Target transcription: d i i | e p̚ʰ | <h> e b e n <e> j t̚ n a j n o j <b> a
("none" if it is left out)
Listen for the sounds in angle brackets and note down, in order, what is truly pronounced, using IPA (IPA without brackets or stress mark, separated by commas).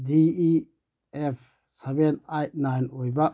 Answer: s, a, b